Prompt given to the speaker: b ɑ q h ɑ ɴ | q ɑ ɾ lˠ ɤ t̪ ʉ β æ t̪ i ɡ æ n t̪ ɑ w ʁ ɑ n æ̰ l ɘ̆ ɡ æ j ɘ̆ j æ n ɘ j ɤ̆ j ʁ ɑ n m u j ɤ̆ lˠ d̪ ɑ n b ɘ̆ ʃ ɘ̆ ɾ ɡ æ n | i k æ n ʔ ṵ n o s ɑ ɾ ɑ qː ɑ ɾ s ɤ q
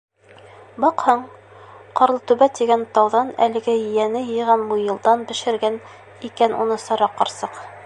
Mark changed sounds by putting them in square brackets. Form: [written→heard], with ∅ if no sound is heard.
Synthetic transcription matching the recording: b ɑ q h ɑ ɴ | q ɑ ɾ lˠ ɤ t̪ ʉ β æ t̪ i ɡ æ n t̪ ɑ w [ʁ→ð] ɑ n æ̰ l ɘ̆ ɡ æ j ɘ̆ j æ n ɘ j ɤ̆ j ʁ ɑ n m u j ɤ̆ lˠ d̪ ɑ n b ɘ̆ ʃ ɘ̆ ɾ ɡ æ n | i k æ n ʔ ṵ n [o→ɤ] s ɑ ɾ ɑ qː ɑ ɾ s ɤ q

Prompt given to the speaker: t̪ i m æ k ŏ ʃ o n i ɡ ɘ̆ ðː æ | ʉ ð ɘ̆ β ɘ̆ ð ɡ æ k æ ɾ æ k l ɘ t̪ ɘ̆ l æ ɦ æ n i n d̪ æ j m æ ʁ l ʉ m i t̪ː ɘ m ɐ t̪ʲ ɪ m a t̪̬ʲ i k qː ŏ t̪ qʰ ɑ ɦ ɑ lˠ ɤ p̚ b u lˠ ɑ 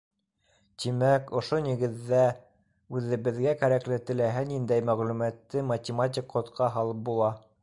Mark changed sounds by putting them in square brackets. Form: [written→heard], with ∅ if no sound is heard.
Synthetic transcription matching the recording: t̪ i m æ k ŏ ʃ o n i ɡ ɘ̆ ðː æ | ʉ ð ɘ̆ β ɘ̆ ð ɡ æ k æ ɾ æ k l ɘ t̪ ɘ̆ l æ ɦ æ n i n d̪ æ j m æ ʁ l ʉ m [i→æ] t̪ː ɘ m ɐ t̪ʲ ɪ m a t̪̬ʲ i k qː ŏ t̪ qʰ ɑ ɦ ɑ lˠ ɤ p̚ b u lˠ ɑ

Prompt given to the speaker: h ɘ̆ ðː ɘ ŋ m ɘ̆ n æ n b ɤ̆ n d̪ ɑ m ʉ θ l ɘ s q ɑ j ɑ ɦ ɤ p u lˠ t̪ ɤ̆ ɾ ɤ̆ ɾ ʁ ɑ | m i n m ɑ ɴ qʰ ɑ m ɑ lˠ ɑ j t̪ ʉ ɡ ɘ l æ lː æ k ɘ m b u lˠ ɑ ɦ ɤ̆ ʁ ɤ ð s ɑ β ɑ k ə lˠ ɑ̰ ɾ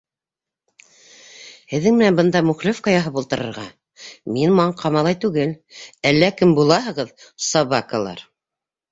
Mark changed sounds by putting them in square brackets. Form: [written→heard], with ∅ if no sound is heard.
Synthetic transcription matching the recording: h ɘ̆ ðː ɘ ŋ m ɘ̆ n æ n b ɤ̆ n d̪ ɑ m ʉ [θ→χ] l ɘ [s→f] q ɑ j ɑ ɦ ɤ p u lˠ t̪ ɤ̆ ɾ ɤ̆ ɾ ʁ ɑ | m i n m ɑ ɴ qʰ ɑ m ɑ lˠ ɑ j t̪ ʉ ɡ ɘ l æ lː æ k ɘ m b u lˠ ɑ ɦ ɤ̆ ʁ ɤ ð s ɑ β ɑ k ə lˠ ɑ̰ ɾ

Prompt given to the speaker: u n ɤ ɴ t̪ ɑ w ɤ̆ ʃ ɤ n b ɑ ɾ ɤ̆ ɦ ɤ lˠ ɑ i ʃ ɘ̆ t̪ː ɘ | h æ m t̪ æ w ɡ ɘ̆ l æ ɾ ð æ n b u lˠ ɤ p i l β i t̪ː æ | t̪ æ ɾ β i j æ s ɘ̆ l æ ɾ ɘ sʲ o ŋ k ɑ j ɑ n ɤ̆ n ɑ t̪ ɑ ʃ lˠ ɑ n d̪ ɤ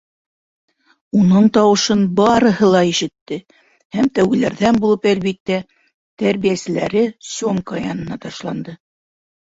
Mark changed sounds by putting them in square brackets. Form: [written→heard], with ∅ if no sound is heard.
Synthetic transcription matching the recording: u n ɤ ɴ t̪ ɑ w ɤ̆ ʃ ɤ n b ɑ ɾ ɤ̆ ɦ ɤ lˠ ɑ i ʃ ɘ̆ t̪ː ɘ | h æ m t̪ æ w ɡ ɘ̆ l æ ɾ ð æ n b u lˠ ɤ p [i→æ] l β i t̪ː æ | t̪ æ ɾ β i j æ s ɘ̆ l æ ɾ ɘ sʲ o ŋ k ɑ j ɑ n ɤ̆ n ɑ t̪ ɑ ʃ lˠ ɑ n d̪ ɤ

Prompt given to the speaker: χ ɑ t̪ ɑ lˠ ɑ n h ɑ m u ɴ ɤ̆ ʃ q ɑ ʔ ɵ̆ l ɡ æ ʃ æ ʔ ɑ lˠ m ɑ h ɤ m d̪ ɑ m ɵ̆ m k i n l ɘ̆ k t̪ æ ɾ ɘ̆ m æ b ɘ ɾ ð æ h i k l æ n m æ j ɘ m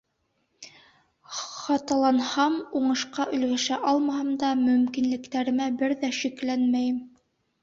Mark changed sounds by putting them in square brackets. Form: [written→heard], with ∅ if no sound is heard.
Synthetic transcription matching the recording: χ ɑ t̪ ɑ lˠ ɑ n h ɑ m u ɴ ɤ̆ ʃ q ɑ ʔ ɵ̆ l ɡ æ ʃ æ ʔ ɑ lˠ m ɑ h ɤ m d̪ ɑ m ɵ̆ m k i n l ɘ̆ k t̪ æ ɾ ɘ̆ m æ b ɘ ɾ ð æ [h→ʃ] i k l æ n m æ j ɘ m

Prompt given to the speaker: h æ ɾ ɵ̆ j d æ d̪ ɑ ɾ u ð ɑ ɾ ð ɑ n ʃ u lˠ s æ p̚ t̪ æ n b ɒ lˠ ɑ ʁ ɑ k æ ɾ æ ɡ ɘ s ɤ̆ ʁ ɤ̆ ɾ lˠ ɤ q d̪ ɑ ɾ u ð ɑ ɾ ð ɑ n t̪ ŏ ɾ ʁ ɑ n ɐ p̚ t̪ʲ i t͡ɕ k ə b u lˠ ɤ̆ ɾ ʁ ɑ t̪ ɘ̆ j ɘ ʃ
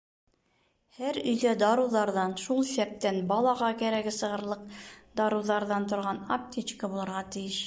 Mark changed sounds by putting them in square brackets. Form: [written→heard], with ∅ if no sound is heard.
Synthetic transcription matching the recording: h æ ɾ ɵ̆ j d æ d̪ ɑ ɾ u ð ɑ ɾ ð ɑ n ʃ u lˠ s æ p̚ t̪ æ n b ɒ lˠ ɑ ʁ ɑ k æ ɾ æ ɡ ɘ s ɤ̆ ʁ ɤ̆ ɾ lˠ ɤ q d̪ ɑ ɾ u ð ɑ ɾ ð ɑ n t̪ ŏ ɾ ʁ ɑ n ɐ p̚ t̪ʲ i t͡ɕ k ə b u lˠ ɤ̆ ɾ ʁ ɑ t̪ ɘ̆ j ɘ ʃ

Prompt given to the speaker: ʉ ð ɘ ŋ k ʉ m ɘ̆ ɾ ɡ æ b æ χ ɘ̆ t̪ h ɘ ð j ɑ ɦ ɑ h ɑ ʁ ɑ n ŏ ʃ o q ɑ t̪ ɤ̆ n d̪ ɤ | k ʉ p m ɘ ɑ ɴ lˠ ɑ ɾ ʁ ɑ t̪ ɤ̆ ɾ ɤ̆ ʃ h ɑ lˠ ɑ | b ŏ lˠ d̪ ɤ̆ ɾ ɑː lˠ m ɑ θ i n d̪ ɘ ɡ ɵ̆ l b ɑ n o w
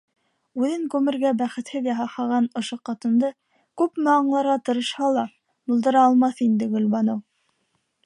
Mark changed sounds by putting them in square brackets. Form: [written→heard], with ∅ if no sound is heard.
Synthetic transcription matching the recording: ʉ ð ɘ ŋ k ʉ m ɘ̆ ɾ ɡ æ b æ χ ɘ̆ t̪ h ɘ ð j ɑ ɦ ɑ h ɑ ʁ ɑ n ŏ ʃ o q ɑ t̪ ɤ̆ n d̪ ɤ | k ʉ p m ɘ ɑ ɴ lˠ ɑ ɾ ʁ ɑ t̪ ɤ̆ ɾ ɤ̆ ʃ h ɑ lˠ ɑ | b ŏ lˠ d̪ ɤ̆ ɾ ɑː lˠ m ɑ θ i n d̪ ɘ ɡ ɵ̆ l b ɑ n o w

